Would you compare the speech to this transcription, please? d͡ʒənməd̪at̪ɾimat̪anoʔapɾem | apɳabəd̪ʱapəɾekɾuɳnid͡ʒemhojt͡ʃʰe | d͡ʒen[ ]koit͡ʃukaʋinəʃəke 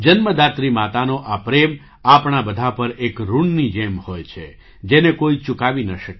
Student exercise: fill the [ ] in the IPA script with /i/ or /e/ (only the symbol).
e